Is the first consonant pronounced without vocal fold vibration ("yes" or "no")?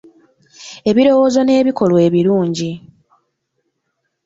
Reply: no